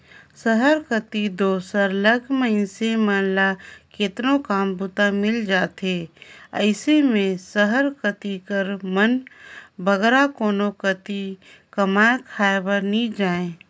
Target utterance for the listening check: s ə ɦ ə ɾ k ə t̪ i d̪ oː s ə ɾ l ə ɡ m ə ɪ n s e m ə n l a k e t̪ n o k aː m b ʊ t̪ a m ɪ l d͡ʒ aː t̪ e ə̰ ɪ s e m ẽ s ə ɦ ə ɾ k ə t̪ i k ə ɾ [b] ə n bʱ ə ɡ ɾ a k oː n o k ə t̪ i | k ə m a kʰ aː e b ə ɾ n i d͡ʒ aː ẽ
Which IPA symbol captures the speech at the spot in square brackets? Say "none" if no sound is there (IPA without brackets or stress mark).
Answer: m